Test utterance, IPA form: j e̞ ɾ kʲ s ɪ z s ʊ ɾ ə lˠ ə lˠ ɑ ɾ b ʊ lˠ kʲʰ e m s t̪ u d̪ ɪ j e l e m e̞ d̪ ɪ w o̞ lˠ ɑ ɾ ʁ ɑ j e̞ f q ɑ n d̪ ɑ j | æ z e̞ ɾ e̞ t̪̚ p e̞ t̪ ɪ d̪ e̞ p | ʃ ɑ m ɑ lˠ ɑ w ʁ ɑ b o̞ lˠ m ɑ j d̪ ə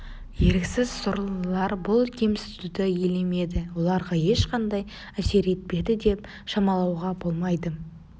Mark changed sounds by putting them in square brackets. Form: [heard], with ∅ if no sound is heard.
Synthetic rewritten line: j e̞ ɾ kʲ s ɪ z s ʊ ɾ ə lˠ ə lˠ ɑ ɾ b ʊ lˠ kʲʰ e m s t̪ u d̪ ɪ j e l e m e̞ d̪ ɪ w o̞ lˠ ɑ ɾ ʁ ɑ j e̞ [ʃ] q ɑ n d̪ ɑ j | æ [s] e̞ ɾ e̞ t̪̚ p e̞ [d̪] ɪ d̪ e̞ p | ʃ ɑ m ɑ lˠ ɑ w ʁ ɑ b o̞ lˠ m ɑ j d̪ ə